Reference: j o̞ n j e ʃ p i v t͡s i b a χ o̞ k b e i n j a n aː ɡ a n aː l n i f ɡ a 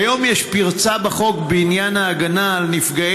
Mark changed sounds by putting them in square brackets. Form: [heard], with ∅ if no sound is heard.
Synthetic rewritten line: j o̞ [m] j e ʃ p i [ʁ] t͡s [a] b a χ o̞ k b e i n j a n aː ɡ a n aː l n i f ɡ a